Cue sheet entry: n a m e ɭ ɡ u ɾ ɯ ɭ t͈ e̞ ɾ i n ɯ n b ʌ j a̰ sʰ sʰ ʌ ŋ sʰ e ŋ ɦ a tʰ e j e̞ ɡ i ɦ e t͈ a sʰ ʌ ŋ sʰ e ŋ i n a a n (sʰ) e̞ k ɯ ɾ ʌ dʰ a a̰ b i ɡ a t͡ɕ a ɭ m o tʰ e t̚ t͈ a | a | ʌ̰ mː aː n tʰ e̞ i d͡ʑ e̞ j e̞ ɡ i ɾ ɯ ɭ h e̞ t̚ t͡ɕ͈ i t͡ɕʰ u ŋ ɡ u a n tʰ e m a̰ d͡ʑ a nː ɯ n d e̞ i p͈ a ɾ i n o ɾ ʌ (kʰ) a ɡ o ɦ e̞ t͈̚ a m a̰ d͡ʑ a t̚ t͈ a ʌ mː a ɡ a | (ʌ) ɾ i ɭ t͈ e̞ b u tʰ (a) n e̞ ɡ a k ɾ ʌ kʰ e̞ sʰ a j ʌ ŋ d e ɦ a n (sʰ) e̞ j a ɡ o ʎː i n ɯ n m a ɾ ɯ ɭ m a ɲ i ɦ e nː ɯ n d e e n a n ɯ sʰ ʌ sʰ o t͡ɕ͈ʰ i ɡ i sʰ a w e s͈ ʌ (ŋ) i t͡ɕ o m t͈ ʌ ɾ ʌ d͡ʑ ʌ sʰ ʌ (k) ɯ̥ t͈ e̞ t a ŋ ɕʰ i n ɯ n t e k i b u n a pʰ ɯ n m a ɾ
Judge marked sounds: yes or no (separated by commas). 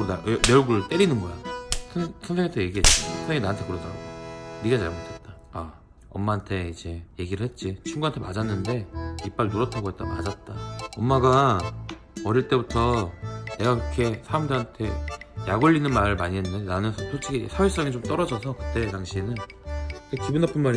no, no, yes, no, no, yes, yes